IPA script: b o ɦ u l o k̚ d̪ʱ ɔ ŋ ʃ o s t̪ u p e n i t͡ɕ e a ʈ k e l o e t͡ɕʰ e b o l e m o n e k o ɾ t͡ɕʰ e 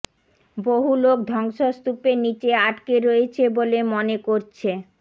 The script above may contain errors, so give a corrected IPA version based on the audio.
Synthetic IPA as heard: b o ɦ u l o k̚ d̪ʱ ɔ ŋ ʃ o s t̪ u p e n i t͡ɕ e a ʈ k e ɾ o e t͡ɕʰ e b o l e m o n e k o ɾ t͡ɕʰ e